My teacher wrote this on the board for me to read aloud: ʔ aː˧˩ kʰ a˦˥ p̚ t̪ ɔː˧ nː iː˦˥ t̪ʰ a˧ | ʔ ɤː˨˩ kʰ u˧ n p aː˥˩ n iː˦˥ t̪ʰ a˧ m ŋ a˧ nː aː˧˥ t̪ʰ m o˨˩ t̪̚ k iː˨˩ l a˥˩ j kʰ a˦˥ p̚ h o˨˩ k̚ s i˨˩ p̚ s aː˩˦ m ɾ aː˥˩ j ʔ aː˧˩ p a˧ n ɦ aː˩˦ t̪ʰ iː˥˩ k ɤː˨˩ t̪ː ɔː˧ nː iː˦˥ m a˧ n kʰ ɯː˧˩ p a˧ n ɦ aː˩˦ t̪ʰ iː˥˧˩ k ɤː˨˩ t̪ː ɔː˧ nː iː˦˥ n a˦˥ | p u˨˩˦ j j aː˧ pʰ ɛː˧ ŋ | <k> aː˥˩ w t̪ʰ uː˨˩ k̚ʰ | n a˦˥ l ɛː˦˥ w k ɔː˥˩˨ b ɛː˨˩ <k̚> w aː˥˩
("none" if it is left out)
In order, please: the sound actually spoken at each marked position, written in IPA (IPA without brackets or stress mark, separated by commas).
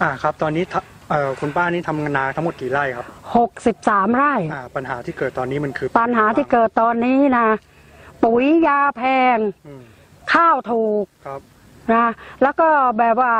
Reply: kʰ, p̚